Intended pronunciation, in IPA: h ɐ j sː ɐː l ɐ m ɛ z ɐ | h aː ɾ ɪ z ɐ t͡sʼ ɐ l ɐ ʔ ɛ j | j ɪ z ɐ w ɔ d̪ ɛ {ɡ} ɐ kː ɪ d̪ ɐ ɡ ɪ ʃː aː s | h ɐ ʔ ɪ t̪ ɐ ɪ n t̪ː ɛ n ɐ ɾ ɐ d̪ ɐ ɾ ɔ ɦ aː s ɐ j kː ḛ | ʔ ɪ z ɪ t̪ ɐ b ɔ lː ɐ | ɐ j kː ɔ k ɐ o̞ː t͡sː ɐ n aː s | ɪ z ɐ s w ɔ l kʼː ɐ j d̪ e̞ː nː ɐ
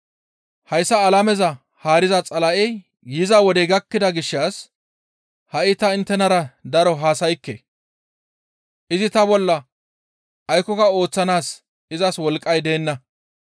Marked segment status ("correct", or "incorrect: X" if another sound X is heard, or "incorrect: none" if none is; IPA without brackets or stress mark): correct